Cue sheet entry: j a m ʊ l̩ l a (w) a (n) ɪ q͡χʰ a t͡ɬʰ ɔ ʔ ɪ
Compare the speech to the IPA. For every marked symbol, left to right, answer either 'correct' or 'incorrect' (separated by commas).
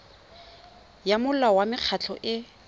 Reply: correct, incorrect